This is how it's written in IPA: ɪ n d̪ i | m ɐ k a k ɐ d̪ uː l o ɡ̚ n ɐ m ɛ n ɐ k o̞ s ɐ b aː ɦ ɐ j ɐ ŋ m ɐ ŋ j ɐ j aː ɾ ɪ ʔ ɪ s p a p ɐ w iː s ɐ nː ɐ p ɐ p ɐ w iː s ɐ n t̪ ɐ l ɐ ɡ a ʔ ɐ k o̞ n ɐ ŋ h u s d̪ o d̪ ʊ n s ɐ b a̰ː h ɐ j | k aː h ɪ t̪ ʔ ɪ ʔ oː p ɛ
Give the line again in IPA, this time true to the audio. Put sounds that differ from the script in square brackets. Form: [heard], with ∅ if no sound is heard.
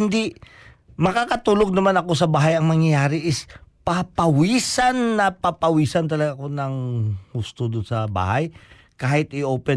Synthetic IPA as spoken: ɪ n d̪ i | m ɐ k a k ɐ [t̪] uː l o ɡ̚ n ɐ m [a] n ɐ k o̞ s ɐ b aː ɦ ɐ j ɐ ŋ m ɐ ŋ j ɐ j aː ɾ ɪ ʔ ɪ s p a p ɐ w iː s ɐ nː ɐ p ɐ p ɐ w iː s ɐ n t̪ ɐ l ɐ ɡ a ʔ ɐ k o̞ n ɐ ŋ h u s [t̪] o d̪ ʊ n s ɐ b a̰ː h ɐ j | k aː h ɪ t̪ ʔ ɪ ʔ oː p ɛ